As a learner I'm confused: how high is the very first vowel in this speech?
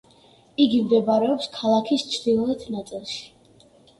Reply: high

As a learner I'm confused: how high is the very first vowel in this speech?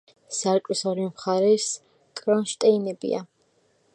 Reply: low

